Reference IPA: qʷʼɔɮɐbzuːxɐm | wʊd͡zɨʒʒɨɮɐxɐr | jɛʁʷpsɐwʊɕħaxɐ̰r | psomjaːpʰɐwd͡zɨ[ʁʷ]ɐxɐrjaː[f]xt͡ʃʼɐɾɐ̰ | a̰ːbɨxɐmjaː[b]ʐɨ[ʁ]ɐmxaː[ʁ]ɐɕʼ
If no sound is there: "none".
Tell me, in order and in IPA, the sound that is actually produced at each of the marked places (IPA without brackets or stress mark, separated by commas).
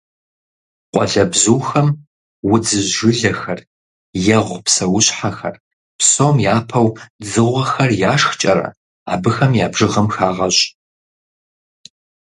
ʁʷ, ʂ, b, ʁ, ʁ